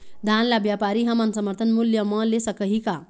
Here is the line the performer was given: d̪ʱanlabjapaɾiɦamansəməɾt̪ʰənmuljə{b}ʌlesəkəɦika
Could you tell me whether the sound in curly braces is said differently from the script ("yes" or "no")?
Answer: yes